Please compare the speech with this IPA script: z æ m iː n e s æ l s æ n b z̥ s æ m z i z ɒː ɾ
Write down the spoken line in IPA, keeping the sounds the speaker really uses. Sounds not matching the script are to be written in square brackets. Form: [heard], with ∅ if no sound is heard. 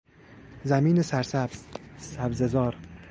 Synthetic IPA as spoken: z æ m iː n e s æ [ɾ] s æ [∅] b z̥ s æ [b] z [e] z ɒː ɾ